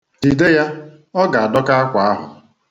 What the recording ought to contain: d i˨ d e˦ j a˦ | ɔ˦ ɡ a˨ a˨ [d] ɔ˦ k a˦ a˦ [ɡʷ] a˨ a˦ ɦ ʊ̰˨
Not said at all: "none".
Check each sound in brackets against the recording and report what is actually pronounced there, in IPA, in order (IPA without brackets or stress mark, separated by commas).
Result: d, kʷ